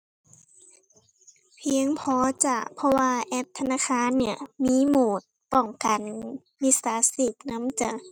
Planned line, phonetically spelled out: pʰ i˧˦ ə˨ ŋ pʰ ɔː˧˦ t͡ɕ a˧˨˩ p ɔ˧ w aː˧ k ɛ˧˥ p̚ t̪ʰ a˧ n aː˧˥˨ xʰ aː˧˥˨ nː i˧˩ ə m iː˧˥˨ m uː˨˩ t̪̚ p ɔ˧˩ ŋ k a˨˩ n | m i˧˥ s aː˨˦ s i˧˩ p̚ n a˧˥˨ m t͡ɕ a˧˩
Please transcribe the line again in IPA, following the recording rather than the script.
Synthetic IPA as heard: pʰ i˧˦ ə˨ ŋ pʰ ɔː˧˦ t͡ɕ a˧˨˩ pʰ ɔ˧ w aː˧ ʔ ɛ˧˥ p̚ t̪ʰ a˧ n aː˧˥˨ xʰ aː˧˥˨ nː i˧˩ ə m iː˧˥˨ m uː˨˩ t̪̚ p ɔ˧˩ ŋ k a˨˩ n | m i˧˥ s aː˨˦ s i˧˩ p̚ n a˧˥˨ m t͡ɕ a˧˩